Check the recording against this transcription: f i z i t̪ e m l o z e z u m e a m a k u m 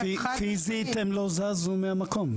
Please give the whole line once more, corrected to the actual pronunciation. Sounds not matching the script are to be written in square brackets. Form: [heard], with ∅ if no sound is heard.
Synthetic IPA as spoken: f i z i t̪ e m l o z [a] z u m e a m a k [o] m